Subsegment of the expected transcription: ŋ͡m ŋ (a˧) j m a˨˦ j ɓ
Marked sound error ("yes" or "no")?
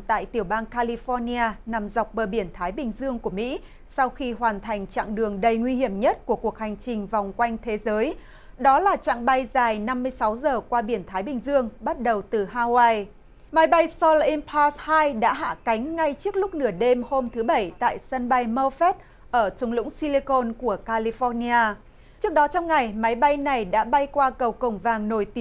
yes